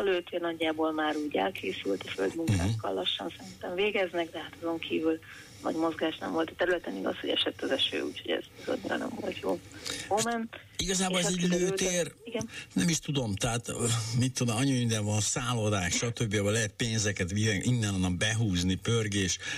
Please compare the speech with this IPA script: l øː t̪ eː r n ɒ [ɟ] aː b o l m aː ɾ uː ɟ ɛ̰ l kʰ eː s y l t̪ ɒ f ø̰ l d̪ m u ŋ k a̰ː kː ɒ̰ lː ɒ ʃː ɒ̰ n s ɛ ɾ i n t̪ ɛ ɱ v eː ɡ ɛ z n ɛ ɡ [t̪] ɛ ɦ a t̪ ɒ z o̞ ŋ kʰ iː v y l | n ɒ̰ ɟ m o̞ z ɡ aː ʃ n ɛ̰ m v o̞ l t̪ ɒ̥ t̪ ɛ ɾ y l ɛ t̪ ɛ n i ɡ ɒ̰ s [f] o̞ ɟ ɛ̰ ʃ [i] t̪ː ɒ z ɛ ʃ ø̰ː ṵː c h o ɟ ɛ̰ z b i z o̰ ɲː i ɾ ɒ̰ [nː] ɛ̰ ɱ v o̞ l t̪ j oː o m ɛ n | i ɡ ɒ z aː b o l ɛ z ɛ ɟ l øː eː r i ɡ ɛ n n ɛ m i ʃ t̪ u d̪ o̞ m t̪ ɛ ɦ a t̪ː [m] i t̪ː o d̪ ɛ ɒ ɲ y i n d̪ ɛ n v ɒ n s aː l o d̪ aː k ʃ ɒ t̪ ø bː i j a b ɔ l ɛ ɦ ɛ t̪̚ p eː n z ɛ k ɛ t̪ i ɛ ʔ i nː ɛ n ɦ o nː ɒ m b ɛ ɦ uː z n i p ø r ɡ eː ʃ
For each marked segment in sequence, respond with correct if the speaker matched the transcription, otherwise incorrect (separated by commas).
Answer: incorrect, incorrect, incorrect, incorrect, incorrect, correct